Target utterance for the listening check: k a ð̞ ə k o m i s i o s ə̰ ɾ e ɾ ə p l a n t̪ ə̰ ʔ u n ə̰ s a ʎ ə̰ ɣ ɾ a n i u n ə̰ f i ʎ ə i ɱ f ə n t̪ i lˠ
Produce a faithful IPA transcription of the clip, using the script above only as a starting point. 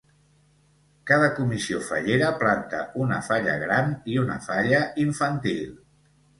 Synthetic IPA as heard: k a ð̞ ə k u m i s i o f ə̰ ʎ e ɾ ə p l a n t̪ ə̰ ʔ u n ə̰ f a ʎ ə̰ ɣ ɾ a n i u n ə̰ f a ʎ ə i ɱ f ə n t̪ i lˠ